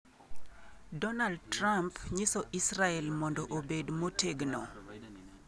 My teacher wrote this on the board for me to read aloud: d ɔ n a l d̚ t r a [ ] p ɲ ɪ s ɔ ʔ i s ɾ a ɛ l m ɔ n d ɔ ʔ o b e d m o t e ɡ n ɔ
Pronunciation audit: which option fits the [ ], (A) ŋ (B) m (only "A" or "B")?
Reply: B